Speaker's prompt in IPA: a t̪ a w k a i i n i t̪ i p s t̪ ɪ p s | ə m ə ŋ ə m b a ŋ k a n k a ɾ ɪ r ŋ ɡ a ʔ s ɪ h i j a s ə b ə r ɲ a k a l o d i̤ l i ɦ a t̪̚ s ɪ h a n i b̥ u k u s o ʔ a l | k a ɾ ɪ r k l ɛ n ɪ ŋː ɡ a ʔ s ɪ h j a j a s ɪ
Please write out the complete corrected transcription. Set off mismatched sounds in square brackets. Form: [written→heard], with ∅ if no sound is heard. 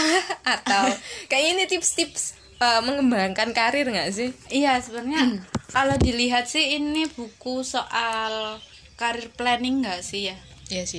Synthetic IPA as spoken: a t̪ a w k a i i n i t̪ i p s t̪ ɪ p s | ə m ə ŋ ə m b a ŋ k a n k a ɾ ɪ r ŋ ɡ a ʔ s ɪ h i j a s ə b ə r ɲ a k a l o d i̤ l i ɦ a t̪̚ s ɪ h [a→i] n i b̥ u k u s o ʔ a l | k a ɾ ɪ r [k→p] l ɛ n ɪ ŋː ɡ a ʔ s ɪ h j a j a s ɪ